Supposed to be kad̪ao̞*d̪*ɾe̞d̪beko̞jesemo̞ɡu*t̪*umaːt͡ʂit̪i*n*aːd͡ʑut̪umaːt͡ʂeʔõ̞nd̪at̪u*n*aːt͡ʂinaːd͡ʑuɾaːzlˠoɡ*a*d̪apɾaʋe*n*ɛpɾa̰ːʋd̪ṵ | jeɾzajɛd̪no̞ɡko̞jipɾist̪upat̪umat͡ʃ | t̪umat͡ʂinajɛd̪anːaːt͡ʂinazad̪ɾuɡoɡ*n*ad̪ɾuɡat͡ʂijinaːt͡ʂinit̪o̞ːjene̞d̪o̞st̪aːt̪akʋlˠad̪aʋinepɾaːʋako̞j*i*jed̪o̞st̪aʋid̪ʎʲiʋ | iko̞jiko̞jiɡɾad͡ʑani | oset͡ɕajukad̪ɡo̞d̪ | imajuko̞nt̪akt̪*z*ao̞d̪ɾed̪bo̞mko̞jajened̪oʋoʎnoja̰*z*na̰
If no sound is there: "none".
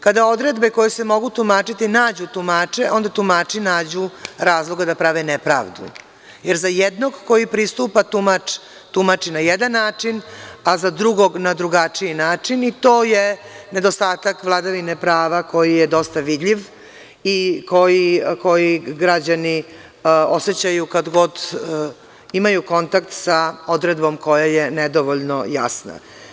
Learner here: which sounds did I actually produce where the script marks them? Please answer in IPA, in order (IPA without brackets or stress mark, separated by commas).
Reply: d̪, t̪, n, m, a, n, n, i, s, s